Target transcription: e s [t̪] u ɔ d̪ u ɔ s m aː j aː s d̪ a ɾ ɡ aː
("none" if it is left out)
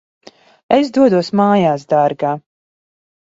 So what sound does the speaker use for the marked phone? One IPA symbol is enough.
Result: d̪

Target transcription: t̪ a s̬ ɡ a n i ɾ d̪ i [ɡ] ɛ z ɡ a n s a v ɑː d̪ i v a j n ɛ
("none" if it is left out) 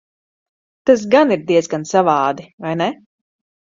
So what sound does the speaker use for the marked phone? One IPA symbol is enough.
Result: none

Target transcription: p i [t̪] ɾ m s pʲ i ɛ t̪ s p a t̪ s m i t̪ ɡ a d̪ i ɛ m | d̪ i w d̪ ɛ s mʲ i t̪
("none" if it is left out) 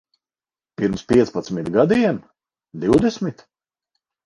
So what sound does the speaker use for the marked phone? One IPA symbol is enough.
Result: none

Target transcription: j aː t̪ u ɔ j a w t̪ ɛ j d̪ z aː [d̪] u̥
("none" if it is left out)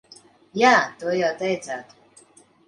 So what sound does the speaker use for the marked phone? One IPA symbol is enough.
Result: t̪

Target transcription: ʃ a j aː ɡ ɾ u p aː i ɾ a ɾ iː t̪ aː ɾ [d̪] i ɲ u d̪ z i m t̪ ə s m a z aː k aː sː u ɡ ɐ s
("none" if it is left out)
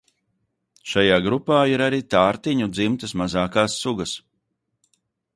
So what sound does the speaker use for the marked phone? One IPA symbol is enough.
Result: t̪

